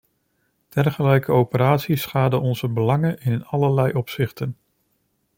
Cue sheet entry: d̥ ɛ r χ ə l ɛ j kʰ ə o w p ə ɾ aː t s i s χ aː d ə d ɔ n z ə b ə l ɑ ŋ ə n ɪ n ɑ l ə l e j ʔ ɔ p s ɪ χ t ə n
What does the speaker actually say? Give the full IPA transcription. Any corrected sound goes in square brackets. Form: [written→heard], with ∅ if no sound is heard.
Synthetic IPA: d̥ ɛ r χ ə l ɛ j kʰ ə o w p ə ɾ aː t s i s χ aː d ə [d→∅] ɔ n z ə b ə l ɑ ŋ ə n ɪ n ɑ l ə l [e→ɛ] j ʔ ɔ p s ɪ χ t ə n